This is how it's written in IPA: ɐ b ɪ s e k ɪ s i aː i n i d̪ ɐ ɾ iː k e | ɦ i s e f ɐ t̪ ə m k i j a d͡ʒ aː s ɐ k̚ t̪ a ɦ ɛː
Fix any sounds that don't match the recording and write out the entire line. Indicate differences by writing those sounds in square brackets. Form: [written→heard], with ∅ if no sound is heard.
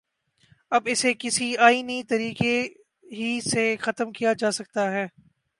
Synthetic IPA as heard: ɐ b ɪ s e k ɪ s i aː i n i [d̪→t̪] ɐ ɾ iː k e | ɦ i s e [f→x] ɐ t̪ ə m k i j a d͡ʒ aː s ɐ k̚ t̪ a ɦ ɛː